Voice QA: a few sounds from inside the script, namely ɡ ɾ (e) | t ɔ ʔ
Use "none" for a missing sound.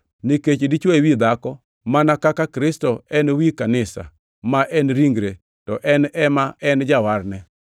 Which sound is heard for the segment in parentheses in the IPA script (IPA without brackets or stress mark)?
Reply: e